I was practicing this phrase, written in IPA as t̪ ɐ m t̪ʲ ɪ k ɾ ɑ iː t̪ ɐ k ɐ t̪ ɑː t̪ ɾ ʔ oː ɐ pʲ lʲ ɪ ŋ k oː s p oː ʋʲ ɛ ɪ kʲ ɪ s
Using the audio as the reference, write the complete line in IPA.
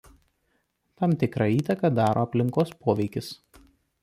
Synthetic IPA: t̪ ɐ m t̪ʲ ɪ k ɾ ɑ iː t̪ ɐ k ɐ d̪ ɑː ɾ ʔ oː ɐ pʲ lʲ ɪ ŋ k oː s p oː ʋʲ ɛ ɪ kʲ ɪ s

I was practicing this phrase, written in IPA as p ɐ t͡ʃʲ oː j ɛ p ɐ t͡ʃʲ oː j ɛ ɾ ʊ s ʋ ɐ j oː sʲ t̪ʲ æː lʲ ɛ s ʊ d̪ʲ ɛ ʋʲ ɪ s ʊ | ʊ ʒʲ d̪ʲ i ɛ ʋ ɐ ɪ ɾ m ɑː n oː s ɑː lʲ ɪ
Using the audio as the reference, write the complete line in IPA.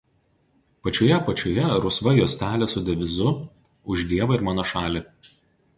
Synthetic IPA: p ɐ t͡ʃʲ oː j ɛ p ɐ t͡ʃʲ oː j ɛ ɾ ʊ s ʋ ɐ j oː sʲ t̪ʲ æː lʲ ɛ s ʊ d̪ʲ ɛ ʋʲ ɪ z ʊ | ʊ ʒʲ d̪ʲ i ɛ ʋ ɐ ɪ ɾ m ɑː n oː ʃ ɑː lʲ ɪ

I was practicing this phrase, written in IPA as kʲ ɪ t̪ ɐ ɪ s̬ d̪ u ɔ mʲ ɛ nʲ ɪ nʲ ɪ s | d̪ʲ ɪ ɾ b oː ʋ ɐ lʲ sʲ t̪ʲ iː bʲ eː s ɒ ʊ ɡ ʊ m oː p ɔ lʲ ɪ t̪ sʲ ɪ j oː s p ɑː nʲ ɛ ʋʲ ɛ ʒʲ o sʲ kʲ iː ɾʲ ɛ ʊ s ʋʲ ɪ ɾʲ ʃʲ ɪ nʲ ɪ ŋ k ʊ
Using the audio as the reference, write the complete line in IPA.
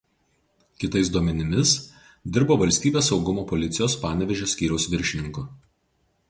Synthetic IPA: kʲ ɪ t̪ ɐ ɪ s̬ d̪ u ɔ mʲ ɛ nʲ ɪ mʲ ɪ s | d̪ʲ ɪ ɾ b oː ʋ ɐ lʲ sʲ t̪ʲ iː bʲ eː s ɒ ʊ ɡ ʊ m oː p ɔ lʲ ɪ t̪ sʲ ɪ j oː s p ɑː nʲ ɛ ʋʲ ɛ ʒʲ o sʲ kʲ iː ɾʲ ɛ ʊ s ʋʲ ɪ ɾʲ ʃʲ ɪ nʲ ɪ ŋ k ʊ

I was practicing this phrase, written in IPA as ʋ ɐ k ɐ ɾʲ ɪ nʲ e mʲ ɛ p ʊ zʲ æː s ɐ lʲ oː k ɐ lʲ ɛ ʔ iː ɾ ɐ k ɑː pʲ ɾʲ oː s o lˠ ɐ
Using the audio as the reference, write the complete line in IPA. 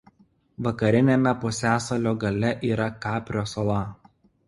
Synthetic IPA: ʋ ɐ k ɐ ɾʲ ɪ nʲ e mʲ ɛ p ʊ sʲ æː s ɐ lʲ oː ɡ ɐ lʲ ɛ ʔ iː ɾ ɐ k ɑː pʲ ɾʲ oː s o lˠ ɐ

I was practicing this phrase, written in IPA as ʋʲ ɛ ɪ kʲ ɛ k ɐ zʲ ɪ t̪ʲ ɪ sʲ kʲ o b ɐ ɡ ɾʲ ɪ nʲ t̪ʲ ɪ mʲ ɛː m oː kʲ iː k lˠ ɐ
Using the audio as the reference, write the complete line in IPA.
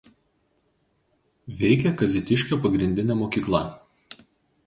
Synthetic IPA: ʋʲ ɛ ɪ kʲ ɛ k ɐ zʲ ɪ t̪ʲ ɪ ʃʲ kʲ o p ɐ ɡ ɾʲ ɪ nʲ d̪ʲ ɪ nʲ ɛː m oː kʲ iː k lˠ ɐ

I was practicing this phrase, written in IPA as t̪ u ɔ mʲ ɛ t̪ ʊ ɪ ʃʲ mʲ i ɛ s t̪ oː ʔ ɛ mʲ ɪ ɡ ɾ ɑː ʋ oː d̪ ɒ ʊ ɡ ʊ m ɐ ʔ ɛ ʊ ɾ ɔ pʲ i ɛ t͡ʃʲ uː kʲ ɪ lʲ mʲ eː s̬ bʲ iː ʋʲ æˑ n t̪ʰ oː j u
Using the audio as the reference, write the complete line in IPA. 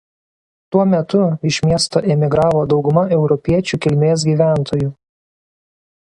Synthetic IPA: t̪ u ɔ mʲ ɛ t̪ ʊ ɪ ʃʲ mʲ i ɛ s t̪ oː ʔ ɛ mʲ ɪ ɡ ɾ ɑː ʋ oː d̪ ɒ ʊ ɡ ʊ m ɐ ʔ ɛ ʊ ɾ ɔ pʲ i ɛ t͡ʃʲ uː kʲ ɪ lʲ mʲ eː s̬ ɡʲ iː ʋʲ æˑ n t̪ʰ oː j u

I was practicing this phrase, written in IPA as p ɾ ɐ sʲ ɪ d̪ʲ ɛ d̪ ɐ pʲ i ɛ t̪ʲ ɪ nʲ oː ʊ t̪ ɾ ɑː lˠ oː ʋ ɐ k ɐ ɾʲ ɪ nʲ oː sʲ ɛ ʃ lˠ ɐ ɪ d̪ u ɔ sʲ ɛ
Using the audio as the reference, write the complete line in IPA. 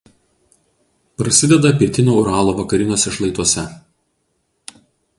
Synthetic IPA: p ɾ ɐ sʲ ɪ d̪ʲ ɛ d̪ ɐ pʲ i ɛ t̪ʲ ɪ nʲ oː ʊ ɾ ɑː lˠ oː ʋ ɐ k ɐ ɾʲ ɪ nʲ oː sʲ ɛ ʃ lˠ ɐ ɪ t̪ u ɔ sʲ ɛ

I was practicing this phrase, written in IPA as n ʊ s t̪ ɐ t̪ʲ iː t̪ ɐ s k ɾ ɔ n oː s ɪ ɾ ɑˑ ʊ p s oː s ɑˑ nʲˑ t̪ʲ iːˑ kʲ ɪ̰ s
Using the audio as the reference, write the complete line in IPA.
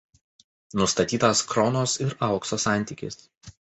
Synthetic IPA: n ʊ s t̪ ɐ t̪ʲ iː t̪ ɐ s k ɾ ɔ n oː s ɪ ɾ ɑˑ ʊ k s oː s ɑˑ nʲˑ t̪ʲ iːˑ kʲ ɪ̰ s

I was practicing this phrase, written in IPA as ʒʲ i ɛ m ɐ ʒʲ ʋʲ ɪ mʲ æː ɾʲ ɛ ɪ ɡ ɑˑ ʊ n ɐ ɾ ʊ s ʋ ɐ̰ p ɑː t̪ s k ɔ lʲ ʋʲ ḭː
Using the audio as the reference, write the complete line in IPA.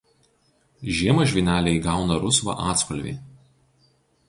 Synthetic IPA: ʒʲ i ɛ m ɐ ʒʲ ʋʲ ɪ nʲ æː lʲ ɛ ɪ ɡ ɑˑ ʊ n ɐ ɾ ʊ s ʋ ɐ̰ ʔ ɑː t̪ s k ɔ lʲ ʋʲ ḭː

